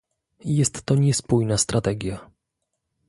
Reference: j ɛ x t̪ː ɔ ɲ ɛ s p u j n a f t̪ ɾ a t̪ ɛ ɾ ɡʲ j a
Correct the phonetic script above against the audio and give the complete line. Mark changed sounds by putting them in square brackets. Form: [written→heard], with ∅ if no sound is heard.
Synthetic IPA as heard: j ɛ [x→s] t̪ː ɔ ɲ ɛ s p u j n a [f→s] t̪ ɾ a t̪ ɛ [ɾ→∅] ɡʲ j a